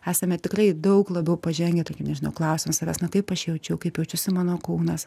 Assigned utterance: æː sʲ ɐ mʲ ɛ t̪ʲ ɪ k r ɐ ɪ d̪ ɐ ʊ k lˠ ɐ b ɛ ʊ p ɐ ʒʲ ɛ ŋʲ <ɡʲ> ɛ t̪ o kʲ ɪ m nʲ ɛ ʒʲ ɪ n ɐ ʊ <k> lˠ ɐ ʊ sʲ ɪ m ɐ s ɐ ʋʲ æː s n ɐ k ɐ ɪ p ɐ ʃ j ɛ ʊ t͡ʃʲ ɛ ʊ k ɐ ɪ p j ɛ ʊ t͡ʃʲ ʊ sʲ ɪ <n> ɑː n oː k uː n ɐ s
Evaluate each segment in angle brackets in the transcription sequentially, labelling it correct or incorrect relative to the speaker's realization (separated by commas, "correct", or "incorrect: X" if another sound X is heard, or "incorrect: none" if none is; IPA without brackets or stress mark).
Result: correct, correct, incorrect: m